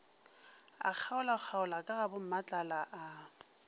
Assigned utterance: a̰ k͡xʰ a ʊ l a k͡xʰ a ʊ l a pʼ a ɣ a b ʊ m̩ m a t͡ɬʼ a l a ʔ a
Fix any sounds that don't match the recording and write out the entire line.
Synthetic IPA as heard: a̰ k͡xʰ a ʊ l a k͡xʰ a ʊ l a kʼ a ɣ a b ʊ m̩ m a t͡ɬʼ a l a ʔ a